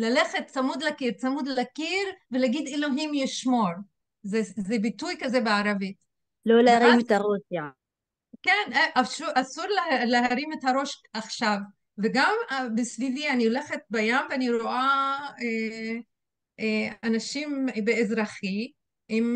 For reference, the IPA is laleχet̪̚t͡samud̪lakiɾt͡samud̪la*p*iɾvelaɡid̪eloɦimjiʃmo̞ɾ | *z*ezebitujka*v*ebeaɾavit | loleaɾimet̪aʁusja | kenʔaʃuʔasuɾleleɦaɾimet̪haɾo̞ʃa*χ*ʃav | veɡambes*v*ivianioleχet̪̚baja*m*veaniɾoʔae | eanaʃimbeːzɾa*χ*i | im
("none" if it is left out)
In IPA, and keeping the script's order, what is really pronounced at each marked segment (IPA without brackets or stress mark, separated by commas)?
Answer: k, z, z, χ, v, m, χ